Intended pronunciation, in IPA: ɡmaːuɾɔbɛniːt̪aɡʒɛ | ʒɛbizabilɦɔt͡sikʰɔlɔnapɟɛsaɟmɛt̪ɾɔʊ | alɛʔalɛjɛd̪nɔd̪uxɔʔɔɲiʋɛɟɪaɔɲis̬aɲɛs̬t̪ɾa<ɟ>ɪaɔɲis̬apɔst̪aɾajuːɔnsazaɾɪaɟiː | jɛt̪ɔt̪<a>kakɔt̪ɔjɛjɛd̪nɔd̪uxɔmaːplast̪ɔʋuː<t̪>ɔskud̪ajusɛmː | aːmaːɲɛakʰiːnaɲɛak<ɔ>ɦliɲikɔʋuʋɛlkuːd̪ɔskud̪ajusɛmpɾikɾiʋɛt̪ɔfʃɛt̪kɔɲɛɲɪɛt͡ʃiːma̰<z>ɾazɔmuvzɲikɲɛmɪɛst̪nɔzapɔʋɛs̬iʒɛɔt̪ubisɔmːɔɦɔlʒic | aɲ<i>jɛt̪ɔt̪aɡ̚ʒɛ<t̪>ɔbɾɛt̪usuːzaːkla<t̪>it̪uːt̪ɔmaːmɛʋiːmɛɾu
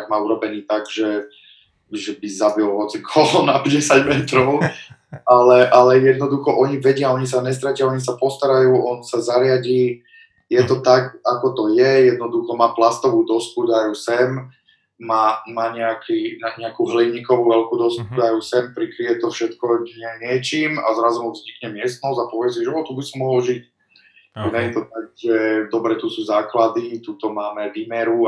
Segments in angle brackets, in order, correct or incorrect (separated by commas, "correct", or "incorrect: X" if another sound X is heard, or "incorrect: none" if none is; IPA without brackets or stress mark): incorrect: c, correct, incorrect: d̪, incorrect: u, correct, incorrect: ɛ, incorrect: d̪, incorrect: d̪